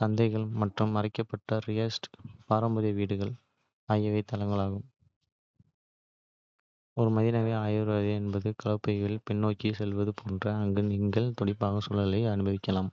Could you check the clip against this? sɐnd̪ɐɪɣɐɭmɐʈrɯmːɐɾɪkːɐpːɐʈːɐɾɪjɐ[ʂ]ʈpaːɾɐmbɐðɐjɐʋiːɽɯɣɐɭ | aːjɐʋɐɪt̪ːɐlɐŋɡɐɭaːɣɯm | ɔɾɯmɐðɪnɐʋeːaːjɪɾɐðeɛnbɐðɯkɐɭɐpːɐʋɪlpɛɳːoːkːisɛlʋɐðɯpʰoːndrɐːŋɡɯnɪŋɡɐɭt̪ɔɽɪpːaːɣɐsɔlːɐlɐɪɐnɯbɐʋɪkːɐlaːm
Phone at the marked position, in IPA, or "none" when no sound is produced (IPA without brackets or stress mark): s